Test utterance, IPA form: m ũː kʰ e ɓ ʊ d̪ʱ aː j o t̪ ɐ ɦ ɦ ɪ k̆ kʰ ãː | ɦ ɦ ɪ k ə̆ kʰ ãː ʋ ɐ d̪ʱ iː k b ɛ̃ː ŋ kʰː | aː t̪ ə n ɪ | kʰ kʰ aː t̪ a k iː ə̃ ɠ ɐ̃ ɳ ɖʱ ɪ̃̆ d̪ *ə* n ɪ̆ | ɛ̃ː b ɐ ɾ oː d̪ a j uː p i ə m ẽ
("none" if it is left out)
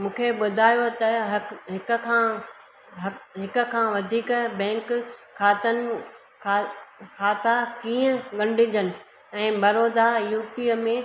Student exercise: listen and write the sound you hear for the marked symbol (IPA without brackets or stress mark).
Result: ə